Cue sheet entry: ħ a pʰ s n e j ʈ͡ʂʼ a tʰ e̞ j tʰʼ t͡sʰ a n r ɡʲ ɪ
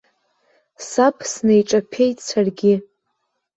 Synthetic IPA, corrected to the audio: s a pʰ s n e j ʈ͡ʂʼ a pʰ e̞ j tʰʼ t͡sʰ a r ɡʲ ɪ